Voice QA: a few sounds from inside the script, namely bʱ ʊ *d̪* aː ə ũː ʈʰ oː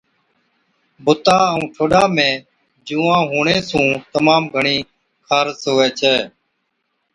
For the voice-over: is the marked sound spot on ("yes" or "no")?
no